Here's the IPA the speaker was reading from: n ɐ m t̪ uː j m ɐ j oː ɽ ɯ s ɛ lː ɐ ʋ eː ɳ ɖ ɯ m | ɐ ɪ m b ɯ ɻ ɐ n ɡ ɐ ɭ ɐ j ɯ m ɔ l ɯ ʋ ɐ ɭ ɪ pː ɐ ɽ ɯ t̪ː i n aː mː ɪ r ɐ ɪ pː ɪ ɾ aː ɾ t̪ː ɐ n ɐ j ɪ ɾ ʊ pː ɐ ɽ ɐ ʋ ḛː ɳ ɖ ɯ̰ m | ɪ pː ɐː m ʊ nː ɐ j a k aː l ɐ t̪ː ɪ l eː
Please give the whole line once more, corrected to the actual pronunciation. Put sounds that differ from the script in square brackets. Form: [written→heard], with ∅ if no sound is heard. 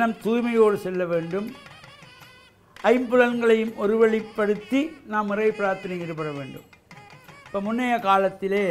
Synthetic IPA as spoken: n ɐ m t̪ uː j m ɐ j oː ɽ ɯ s ɛ lː ɐ ʋ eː ɳ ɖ ɯ m | ɐ ɪ m b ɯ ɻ ɐ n ɡ ɐ ɭ ɐ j ɯ m ɔ [l→ɾ] ɯ ʋ ɐ ɭ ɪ pː ɐ ɽ ɯ t̪ː i n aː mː ɪ r ɐ ɪ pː ɪ ɾ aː ɾ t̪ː ɐ n ɐ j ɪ ɾ [ʊ→ɯ] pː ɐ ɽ ɐ ʋ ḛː ɳ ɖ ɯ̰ m | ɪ pː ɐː m ʊ nː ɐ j [a→ɐ] k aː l ɐ t̪ː ɪ l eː